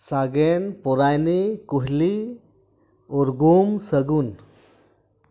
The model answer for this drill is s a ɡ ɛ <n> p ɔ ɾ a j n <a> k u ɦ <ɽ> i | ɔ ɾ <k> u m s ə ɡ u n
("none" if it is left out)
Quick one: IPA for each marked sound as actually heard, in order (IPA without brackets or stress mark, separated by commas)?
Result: n, i, l, ɡ